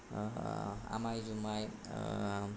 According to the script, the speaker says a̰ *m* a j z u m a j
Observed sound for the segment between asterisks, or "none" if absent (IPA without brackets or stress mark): m